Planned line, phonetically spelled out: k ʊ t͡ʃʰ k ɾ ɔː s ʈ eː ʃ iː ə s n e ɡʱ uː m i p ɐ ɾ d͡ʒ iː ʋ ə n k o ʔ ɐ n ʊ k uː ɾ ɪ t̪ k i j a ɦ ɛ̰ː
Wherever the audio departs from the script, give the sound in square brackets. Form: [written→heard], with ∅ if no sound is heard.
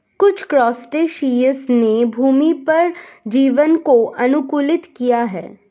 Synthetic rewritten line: k ʊ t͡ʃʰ k ɾ ɔː s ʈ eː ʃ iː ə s n e [ɡʱ→bʱ] uː m i p ɐ ɾ d͡ʒ iː ʋ ə n k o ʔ ɐ n ʊ k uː [ɾ→l] ɪ t̪ k i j a ɦ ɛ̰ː

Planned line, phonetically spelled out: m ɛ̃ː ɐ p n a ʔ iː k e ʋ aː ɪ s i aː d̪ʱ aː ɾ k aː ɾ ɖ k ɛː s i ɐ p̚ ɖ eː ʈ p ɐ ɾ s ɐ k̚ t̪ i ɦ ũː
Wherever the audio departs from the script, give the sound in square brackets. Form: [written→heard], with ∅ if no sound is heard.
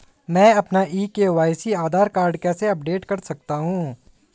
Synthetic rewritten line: m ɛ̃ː ɐ p n a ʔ iː k e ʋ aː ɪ s i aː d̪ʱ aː ɾ k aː ɾ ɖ k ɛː s [i→e] ɐ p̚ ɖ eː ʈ [p→k] ɐ ɾ s ɐ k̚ t̪ [i→a] ɦ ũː

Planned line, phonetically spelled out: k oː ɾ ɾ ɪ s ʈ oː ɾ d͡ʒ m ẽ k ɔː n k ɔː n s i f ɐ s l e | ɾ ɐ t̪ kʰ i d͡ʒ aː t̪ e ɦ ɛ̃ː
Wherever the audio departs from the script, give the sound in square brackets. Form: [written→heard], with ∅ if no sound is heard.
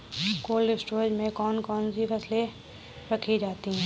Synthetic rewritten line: k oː [ɾ→l] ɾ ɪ s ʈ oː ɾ d͡ʒ m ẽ k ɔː n k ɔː n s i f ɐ s l e | ɾ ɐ [t̪→∅] kʰ i d͡ʒ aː t̪ [e→i] ɦ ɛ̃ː

